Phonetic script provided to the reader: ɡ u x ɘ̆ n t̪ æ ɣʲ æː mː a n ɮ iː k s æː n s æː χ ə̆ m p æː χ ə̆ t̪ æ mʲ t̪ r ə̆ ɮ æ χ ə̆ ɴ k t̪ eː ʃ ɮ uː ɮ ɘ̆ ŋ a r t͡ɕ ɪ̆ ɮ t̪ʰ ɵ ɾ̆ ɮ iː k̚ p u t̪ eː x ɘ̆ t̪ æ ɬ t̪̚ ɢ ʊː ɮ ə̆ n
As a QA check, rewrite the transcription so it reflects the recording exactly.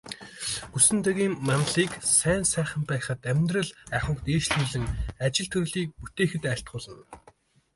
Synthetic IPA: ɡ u s ɘ̆ n t̪ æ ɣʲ iː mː a n ɮ iː k s æː n s æː χ ə̆ m p æː χ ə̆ t̪ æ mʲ t̪ r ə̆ ɮ æ χ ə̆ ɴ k t̪ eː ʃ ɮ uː ɮ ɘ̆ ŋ a t͡ɕ ɪ̆ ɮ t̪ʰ ɵ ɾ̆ ɮ iː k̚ p u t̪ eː x ɘ̆ t̪ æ ɬ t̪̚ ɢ ʊː ɮ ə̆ n